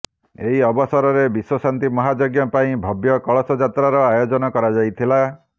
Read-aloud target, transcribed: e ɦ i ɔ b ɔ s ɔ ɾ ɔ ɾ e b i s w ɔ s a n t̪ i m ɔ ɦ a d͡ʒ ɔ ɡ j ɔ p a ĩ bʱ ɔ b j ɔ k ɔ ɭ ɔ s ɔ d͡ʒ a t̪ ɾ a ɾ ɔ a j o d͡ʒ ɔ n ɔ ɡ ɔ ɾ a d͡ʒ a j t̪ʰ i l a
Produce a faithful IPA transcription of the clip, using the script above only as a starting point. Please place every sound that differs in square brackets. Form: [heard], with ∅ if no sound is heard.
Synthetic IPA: e ɦ i ɔ b ɔ s ɔ ɾ ɔ ɾ e b i s w ɔ s a n t̪ i m ɔ ɦ a d͡ʒ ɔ ɡ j ɔ p a ĩ bʱ ɔ b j ɔ k ɔ ɭ ɔ s ɔ d͡ʒ a t̪ ɾ a ɾ ɔ a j o d͡ʒ ɔ n ɔ [k] ɔ ɾ a d͡ʒ a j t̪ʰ i l a